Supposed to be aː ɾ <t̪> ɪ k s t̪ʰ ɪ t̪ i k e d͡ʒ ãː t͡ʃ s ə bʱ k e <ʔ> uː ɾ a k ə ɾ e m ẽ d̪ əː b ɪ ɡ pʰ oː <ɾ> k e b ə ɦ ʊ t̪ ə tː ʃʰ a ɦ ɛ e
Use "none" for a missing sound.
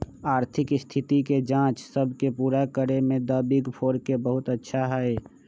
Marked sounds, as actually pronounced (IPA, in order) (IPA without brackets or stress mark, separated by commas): t̪ʰ, p, ɾ